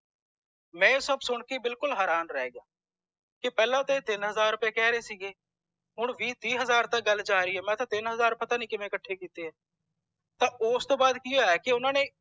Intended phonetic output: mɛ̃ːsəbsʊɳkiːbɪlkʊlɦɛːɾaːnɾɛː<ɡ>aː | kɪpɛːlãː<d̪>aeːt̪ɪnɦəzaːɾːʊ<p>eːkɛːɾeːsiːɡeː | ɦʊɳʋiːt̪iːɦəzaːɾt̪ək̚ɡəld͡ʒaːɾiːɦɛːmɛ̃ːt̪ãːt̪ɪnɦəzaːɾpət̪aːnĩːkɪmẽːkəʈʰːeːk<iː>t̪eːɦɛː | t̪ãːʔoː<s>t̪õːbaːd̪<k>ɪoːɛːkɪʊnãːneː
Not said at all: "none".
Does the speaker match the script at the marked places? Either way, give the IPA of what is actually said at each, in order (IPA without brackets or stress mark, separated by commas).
ɡ, t̪, p, iː, s, k